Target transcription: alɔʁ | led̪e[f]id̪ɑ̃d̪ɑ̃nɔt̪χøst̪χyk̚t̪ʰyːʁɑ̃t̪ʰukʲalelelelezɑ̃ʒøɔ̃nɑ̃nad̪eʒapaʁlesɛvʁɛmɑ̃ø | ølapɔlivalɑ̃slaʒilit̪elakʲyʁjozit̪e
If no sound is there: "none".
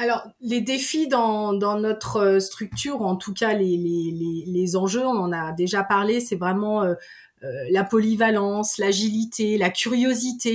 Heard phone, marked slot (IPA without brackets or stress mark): f